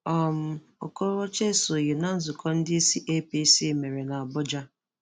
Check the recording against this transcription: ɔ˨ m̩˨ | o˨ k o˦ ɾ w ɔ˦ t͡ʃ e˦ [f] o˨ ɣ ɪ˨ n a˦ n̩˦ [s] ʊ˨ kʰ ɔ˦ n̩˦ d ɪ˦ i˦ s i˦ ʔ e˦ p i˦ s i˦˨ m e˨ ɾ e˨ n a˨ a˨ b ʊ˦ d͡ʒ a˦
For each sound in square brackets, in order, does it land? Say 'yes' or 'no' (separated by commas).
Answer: no, no